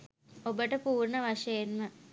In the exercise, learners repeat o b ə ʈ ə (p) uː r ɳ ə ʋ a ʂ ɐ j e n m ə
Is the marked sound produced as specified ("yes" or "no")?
yes